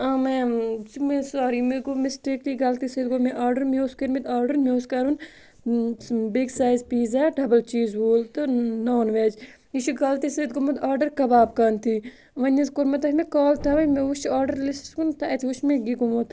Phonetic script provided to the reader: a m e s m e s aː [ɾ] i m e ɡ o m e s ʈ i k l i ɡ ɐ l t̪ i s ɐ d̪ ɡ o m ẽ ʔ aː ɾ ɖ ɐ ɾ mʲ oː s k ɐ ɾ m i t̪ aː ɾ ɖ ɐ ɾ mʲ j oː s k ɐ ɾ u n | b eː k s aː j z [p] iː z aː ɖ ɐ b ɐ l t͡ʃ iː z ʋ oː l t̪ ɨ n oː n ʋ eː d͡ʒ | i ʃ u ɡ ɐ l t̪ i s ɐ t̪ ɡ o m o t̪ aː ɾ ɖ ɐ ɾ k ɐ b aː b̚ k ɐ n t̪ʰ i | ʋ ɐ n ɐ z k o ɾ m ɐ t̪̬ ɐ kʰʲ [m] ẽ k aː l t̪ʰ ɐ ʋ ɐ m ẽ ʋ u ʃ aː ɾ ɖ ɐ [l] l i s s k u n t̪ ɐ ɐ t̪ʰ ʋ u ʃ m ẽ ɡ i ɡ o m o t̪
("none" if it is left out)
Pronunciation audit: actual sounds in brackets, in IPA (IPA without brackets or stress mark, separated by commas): ɾ, p, m, ɾ